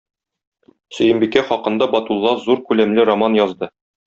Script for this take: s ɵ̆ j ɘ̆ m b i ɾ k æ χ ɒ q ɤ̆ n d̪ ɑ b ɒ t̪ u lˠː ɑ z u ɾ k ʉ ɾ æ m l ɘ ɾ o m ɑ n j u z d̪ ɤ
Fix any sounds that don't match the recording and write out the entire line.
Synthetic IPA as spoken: s ɵ̆ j ɘ̆ m b i k æ χ ɒ q ɤ̆ n d̪ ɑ b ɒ t̪ u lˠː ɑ z u ɾ k ʉ l æ m l ɘ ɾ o m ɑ n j ɒ z d̪ ɤ